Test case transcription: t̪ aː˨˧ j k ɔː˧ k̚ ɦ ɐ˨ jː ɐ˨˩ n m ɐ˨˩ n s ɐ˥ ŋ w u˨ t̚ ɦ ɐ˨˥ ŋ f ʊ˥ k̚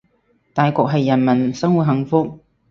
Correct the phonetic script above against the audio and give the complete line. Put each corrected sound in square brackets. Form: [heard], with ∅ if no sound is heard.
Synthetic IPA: t̪ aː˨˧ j k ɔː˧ k̚ ɦ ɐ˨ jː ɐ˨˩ n m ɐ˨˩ n s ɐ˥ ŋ w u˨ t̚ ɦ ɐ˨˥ ŋ f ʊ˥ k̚